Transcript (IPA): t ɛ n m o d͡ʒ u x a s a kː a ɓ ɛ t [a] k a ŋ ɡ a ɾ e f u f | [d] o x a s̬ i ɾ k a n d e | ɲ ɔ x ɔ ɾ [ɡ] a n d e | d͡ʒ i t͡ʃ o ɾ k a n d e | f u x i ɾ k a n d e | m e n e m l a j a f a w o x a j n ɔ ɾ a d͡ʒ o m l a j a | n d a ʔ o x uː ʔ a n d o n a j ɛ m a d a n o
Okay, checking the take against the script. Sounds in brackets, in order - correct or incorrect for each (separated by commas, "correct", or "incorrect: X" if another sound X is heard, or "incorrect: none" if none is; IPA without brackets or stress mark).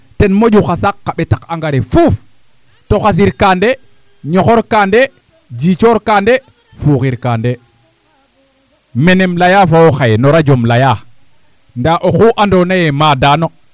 correct, incorrect: t, incorrect: k